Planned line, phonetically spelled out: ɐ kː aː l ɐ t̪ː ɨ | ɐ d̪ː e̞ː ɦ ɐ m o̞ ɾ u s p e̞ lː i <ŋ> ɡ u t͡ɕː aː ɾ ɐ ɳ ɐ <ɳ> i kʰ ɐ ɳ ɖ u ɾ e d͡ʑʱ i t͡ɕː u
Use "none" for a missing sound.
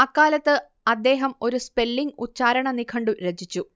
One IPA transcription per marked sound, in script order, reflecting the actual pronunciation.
ŋ, n

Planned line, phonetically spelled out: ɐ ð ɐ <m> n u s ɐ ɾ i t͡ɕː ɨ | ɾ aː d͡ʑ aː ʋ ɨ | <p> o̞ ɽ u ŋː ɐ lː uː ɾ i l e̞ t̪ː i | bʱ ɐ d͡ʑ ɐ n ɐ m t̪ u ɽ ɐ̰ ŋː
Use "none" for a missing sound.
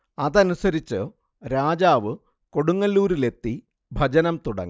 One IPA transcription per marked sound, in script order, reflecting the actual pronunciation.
none, k

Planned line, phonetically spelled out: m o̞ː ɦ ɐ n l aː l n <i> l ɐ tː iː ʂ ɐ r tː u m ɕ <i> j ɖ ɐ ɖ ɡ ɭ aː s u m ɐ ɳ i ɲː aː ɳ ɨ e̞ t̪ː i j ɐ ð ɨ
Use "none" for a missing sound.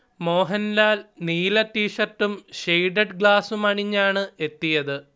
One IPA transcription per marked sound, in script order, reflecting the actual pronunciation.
iː, e

